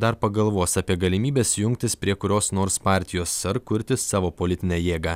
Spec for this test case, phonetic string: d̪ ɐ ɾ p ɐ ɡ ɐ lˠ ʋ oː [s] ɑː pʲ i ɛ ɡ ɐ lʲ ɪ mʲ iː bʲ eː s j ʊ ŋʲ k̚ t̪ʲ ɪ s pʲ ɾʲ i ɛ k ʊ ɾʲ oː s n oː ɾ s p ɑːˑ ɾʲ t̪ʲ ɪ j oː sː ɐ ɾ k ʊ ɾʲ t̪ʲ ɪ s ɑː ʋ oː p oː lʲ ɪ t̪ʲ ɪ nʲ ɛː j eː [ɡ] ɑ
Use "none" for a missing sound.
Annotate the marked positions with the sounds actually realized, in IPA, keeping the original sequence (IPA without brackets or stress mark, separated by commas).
s, ɡ